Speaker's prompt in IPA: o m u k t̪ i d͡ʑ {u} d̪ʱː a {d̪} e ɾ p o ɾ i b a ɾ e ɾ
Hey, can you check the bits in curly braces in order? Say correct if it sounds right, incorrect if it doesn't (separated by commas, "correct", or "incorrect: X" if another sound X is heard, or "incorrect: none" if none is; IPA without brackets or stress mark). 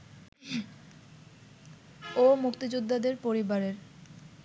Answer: correct, correct